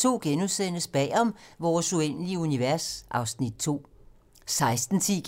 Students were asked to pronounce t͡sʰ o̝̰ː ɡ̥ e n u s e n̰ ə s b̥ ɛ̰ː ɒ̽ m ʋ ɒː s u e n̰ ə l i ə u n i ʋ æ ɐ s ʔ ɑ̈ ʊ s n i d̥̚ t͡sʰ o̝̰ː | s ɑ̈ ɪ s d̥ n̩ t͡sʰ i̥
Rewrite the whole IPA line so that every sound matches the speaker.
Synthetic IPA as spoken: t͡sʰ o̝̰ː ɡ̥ e n u s e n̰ ə s b̥ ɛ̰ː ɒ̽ m ʋ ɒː s u e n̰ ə l i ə u n i ʋ æ ɐ s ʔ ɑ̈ ʊ s n i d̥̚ t͡sʰ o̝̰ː | s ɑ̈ ɪ s d̥ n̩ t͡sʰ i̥